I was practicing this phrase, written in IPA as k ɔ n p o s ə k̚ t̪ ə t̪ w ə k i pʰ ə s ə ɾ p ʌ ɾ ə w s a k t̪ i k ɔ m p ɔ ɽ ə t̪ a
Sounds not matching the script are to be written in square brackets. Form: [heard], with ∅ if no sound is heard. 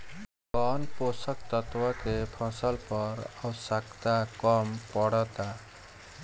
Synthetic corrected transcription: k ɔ n p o s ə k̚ t̪ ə t̪ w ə k [e] pʰ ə s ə [l] p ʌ ɾ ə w s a k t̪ [a] k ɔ m p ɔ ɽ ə t̪ a